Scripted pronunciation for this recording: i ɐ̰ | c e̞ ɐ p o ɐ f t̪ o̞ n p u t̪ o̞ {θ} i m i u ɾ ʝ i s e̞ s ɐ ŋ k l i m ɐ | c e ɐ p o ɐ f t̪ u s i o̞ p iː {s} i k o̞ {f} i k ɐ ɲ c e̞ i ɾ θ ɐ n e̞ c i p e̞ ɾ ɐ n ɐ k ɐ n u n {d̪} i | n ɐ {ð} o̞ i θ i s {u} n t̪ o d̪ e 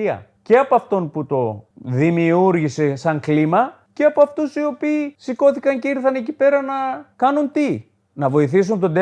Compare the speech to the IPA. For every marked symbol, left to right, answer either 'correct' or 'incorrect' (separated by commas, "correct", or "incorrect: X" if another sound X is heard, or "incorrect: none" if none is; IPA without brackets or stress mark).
incorrect: ð, correct, incorrect: θ, incorrect: t̪, incorrect: v, correct